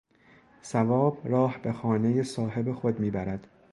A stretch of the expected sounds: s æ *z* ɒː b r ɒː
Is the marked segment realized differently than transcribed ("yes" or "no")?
yes